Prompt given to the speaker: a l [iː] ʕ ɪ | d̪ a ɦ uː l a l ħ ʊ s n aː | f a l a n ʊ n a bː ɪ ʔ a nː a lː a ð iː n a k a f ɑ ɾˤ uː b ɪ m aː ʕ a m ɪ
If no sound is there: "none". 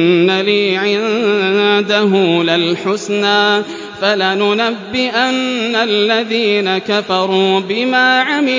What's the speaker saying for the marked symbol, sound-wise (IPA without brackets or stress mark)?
iː